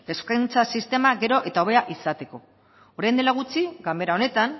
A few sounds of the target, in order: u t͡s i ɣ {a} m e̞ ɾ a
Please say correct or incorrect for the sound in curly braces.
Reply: correct